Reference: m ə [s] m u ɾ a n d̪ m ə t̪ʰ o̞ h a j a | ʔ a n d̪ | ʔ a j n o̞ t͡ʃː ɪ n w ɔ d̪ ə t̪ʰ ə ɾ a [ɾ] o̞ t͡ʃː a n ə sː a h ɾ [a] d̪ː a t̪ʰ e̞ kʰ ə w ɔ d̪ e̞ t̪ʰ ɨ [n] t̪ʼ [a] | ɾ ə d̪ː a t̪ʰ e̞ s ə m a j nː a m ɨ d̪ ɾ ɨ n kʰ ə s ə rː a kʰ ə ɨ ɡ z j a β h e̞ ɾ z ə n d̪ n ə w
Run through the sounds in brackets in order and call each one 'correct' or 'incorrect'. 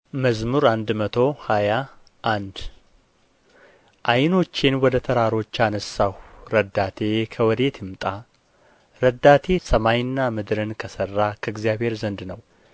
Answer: incorrect: z, correct, incorrect: ə, incorrect: m, correct

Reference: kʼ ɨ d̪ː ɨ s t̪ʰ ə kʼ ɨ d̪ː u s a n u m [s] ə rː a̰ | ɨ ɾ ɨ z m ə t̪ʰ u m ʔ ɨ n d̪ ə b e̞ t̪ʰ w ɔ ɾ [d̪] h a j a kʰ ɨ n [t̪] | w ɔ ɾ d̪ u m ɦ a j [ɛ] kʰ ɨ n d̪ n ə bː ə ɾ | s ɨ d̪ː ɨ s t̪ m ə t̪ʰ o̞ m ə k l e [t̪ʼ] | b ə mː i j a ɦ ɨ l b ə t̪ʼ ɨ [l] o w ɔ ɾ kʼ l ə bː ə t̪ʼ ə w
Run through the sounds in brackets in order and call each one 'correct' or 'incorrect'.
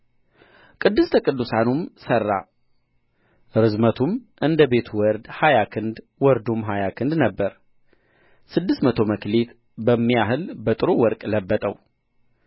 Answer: correct, correct, incorrect: d̪, incorrect: a, incorrect: t̪, incorrect: ɾ

